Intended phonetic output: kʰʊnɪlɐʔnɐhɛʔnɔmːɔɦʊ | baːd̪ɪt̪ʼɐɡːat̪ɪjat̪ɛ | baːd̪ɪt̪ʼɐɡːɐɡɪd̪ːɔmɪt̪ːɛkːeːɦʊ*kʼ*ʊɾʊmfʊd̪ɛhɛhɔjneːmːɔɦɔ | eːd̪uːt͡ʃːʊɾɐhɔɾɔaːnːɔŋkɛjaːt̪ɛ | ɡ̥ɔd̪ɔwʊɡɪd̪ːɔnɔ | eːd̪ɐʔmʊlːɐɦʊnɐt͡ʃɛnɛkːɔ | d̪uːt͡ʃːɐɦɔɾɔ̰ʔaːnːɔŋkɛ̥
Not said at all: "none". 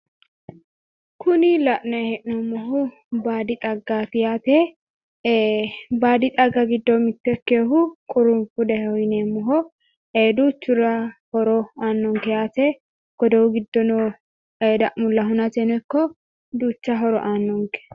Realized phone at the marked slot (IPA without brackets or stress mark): kʼ